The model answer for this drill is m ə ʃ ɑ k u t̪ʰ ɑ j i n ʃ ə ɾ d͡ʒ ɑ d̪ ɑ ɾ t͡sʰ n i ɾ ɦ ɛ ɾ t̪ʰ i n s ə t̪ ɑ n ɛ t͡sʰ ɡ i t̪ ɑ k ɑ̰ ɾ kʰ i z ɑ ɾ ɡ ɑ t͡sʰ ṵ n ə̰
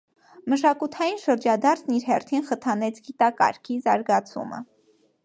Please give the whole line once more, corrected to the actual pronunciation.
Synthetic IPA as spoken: m ə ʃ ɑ k u t̪ʰ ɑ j i n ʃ ə ɾ d͡ʒ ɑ d̪ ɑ ɾ t͡sʰ n i ɾ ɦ ɛ r t̪ʰ i n χ ə t̪ʰ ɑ n ɛ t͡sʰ ɡ i t̪ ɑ k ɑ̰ ɾ kʰ i z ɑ ɾ ɡ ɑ t͡sʰ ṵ m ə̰